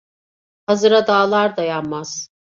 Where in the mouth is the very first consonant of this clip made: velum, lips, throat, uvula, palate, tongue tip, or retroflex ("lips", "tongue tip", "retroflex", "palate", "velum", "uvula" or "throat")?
throat